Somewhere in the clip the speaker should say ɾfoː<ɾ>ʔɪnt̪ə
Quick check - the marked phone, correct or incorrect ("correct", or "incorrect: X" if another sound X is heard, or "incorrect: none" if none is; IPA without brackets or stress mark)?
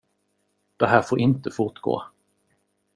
correct